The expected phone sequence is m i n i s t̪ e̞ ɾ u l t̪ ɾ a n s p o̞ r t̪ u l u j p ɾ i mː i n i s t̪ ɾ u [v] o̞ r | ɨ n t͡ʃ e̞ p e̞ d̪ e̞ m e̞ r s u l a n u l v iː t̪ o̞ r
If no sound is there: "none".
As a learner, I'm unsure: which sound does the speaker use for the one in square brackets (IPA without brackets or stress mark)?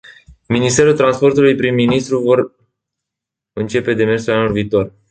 v